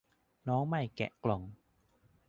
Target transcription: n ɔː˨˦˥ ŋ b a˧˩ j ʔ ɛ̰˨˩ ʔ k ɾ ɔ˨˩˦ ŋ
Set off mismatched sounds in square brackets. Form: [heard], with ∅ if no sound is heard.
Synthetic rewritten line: n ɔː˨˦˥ ŋ [m] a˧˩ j [k] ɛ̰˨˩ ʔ k [l] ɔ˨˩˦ ŋ